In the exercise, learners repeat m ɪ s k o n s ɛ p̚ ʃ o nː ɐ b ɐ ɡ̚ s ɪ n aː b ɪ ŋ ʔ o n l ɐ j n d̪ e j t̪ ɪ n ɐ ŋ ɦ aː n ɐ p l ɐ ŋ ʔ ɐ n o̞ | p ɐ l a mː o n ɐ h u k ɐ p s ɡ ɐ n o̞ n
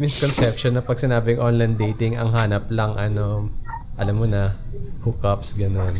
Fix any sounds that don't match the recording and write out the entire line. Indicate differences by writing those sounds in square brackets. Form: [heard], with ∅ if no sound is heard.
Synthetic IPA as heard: m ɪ s k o n s ɛ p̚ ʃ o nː ɐ [p] ɐ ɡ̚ s ɪ n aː b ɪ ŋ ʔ o n l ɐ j n d̪ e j t̪ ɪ [ŋ] ɐ ŋ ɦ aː n ɐ p l ɐ ŋ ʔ ɐ n o̞ | [ʔ] ɐ l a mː o n ɐ h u k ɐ p s ɡ ɐ n o̞ n